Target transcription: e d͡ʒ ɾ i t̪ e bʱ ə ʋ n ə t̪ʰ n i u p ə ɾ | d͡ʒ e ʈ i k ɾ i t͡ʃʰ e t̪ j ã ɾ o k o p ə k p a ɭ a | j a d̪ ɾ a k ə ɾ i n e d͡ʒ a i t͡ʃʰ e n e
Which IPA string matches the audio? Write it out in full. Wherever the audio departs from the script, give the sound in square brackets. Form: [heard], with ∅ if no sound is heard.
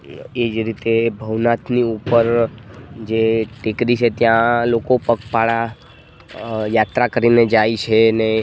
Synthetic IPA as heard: e d͡ʒ ɾ i t̪ e bʱ ə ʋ n [a] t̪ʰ n i u p ə ɾ | d͡ʒ e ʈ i k ɾ i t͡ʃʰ e t̪ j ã [l] o k o p ə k p a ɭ a | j a [t̪] ɾ a k ə ɾ i n e d͡ʒ a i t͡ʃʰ e n e